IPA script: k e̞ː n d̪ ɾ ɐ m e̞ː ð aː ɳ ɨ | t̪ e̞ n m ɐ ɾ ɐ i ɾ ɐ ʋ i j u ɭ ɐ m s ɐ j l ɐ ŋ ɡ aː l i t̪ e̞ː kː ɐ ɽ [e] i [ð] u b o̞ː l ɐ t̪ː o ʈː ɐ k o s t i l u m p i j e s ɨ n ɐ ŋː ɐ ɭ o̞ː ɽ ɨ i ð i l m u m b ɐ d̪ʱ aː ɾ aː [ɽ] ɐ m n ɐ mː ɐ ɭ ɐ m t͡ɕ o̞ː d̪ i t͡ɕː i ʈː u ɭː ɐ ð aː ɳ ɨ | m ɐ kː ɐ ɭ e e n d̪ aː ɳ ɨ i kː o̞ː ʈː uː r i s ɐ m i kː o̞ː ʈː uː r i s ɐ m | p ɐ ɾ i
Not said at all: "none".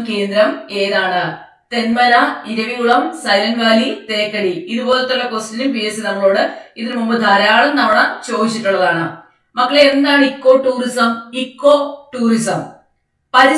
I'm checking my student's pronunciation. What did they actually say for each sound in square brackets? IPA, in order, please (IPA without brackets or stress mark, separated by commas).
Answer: i, ð, ɭ